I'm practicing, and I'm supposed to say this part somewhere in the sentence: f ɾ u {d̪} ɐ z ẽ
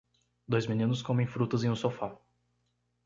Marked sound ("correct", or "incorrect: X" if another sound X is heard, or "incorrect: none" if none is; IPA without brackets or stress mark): incorrect: t̪